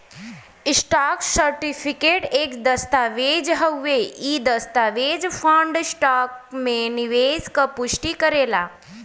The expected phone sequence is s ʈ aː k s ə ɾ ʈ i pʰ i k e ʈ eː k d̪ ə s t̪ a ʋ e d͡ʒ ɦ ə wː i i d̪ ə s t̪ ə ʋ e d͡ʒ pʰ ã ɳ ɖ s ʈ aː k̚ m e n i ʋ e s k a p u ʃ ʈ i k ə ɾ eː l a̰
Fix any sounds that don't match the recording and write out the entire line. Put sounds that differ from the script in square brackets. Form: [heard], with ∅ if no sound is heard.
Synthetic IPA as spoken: s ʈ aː k s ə ɾ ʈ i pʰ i k e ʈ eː k d̪ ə s t̪ a ʋ e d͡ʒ ɦ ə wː [e] i d̪ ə s t̪ [a] ʋ e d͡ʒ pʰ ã ɳ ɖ s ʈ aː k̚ m e n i ʋ e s k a p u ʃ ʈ i k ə ɾ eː l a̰